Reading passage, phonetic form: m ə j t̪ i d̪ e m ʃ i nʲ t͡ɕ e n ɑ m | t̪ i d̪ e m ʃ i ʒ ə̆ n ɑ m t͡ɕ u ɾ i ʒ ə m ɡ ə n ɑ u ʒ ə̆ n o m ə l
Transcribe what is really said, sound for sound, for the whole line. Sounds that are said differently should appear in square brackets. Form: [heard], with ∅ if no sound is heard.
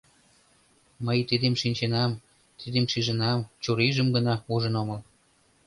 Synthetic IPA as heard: m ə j t̪ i d̪ e m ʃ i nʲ t͡ɕ e n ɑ m | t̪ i d̪ e m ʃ i ʒ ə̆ n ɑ m t͡ɕ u ɾ i ʒ ə m ɡ ə n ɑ u ʒ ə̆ n o m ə l

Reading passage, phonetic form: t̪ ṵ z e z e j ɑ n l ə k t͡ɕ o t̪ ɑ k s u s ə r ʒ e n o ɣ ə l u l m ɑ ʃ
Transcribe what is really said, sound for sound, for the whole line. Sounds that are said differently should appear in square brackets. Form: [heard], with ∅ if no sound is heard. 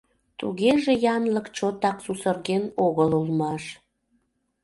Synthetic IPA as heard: t̪ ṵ [ɣ] e [ʒ] e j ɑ n l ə k t͡ɕ o t̪ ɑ k s u s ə r [ɣ] e n o ɣ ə l u l m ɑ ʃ

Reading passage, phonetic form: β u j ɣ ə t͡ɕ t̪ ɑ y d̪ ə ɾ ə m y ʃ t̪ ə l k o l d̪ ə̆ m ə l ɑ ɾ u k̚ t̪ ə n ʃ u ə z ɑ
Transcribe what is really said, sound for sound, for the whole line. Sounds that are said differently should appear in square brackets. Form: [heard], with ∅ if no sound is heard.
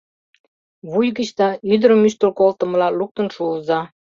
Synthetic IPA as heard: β u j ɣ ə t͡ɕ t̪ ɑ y d̪ ə ɾ ə m y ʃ t̪ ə l k o l [t̪] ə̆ m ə l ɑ [l] u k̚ t̪ ə n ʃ u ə z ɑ

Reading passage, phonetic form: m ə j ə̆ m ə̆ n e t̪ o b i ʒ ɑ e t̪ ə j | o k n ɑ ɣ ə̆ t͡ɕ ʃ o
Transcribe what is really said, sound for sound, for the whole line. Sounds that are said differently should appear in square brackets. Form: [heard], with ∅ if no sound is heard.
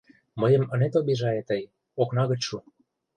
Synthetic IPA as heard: m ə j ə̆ m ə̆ n e t̪ o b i ʒ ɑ e t̪ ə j | o k n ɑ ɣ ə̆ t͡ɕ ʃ [u]

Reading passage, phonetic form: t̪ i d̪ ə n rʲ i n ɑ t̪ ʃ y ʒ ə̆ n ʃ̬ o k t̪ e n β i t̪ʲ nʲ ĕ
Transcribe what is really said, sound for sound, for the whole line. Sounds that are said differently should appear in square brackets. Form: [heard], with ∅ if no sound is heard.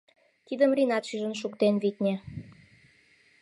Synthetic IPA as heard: t̪ i d̪ ə [m] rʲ i n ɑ t̪ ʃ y ʒ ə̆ n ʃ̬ [u] k t̪ e n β i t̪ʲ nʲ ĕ

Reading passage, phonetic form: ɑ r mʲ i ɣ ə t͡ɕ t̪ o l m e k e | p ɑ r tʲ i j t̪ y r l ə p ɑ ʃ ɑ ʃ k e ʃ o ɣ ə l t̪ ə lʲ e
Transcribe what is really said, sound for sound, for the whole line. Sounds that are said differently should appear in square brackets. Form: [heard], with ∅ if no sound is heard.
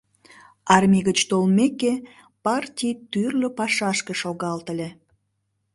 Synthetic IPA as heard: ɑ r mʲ i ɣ ə t͡ɕ t̪ o l m e k e | p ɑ r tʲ i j t̪ y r l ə p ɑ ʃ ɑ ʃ k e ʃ o ɣ [ɑ] l t̪ ə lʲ e

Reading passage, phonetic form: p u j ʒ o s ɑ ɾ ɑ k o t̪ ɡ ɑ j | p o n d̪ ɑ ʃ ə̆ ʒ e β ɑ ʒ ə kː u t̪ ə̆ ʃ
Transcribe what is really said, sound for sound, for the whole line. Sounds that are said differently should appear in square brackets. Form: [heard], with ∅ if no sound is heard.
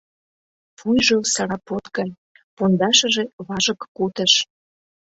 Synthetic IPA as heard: p u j ʒ o s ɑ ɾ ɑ [p] o t̪ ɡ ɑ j | p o n d̪ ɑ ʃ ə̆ ʒ e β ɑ ʒ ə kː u t̪ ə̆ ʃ

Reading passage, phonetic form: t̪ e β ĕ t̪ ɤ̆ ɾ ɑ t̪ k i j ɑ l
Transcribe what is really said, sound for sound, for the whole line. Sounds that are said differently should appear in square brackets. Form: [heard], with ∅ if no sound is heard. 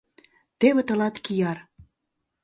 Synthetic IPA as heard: t̪ e β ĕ t̪ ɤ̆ [l] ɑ t̪ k i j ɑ [r]

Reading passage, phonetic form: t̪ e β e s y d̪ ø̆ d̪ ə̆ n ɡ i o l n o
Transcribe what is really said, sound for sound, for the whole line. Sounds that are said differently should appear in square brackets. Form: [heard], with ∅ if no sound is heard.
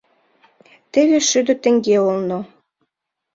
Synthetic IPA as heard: t̪ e β e [ʃ] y d̪ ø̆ [t̪] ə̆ [ŋ] ɡ [e] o l n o

